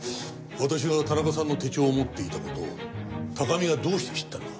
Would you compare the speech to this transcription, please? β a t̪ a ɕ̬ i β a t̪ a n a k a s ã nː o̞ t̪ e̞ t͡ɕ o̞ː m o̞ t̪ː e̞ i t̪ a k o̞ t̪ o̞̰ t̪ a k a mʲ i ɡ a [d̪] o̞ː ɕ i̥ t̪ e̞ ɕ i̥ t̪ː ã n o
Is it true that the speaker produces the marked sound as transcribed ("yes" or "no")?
yes